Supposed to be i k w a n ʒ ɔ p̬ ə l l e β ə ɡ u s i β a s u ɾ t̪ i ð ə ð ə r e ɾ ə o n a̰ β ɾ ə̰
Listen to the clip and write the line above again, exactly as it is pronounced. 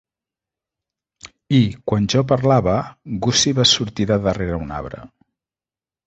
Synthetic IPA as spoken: i k w a n ʒ ɔ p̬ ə ɾ l a β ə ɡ u s i β a s u ɾ t̪ i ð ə ð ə r e ɾ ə u n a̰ β ɾ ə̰